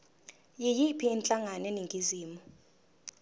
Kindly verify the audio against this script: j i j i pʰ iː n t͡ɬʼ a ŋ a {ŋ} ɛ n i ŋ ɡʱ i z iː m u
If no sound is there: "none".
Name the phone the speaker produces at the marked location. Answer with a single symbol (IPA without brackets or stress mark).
n